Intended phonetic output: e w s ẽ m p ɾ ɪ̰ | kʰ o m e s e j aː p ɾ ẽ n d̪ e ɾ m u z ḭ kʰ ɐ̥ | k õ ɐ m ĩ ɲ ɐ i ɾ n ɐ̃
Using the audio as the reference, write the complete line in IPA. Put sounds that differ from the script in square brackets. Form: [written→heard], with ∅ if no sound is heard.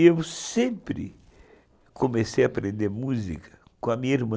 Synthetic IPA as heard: e w s ẽ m p ɾ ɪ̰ | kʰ o m e s e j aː p ɾ ẽ n d̪ e ɾ m u z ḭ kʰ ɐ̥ | k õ ɐ m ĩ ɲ ɐ i ɾ [n→m] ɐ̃

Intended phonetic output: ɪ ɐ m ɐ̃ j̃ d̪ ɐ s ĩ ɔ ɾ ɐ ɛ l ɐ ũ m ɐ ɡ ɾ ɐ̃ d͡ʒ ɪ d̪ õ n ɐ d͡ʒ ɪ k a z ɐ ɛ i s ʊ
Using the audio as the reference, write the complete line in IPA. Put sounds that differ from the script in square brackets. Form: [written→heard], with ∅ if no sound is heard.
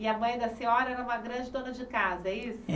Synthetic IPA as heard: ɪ ɐ m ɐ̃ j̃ d̪ ɐ s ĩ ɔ ɾ ɐ ɛ [l→ɾ] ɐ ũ m ɐ ɡ ɾ ɐ̃ d͡ʒ ɪ d̪ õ n ɐ d͡ʒ ɪ k a z ɐ ɛ i s ʊ

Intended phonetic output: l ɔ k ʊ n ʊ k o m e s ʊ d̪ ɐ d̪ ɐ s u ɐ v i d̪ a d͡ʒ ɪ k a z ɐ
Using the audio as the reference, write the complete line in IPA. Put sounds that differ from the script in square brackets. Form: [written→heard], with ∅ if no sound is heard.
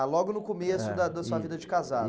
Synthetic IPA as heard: l ɔ [k→ɡ] ʊ n ʊ k o m e s ʊ d̪ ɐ d̪ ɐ s u ɐ v i d̪ [a→ɐ] d͡ʒ ɪ k a z [ɐ→a]

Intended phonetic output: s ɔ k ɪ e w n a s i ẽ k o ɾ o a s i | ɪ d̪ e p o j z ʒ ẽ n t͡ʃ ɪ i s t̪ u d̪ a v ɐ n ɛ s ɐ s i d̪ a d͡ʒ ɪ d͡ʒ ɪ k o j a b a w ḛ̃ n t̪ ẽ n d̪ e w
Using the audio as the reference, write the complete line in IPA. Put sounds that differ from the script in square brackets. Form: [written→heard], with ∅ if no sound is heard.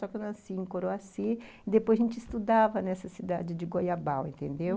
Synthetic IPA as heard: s ɔ k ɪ e w n a s i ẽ k o ɾ o a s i | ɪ d̪ e p o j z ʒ ẽ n t͡ʃ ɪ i s t̪ u d̪ a v ɐ n ɛ s ɐ s i d̪ a d͡ʒ ɪ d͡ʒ ɪ [k→ɡ] o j a b a w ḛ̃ n t̪ ẽ n d̪ e w

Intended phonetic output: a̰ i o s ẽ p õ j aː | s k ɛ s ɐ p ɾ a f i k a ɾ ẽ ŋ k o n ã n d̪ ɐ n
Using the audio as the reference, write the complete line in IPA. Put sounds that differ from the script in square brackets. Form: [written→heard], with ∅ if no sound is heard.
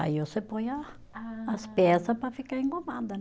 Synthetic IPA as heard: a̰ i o s [ẽ→e] p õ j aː | s [k→p] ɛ s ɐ p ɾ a f i k a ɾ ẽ ŋ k o [n→m] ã n d̪ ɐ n

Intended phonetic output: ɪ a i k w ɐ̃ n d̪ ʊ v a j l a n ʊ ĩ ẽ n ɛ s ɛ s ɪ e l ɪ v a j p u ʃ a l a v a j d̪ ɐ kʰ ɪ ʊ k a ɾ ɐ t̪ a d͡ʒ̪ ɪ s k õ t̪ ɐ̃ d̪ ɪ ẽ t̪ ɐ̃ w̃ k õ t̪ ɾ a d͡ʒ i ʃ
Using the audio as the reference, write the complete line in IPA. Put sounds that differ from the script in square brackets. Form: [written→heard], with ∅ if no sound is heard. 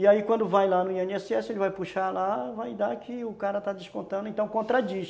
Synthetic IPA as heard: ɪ a i k w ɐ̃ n d̪ ʊ v a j l a n ʊ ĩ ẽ n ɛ s ɛ s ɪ e l ɪ v a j p u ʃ a l a v a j d̪ [ɐ→a] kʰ ɪ ʊ k a ɾ ɐ t̪ a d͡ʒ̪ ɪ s k õ t̪ ɐ̃ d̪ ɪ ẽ t̪ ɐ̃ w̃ k õ t̪ ɾ a d͡ʒ i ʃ

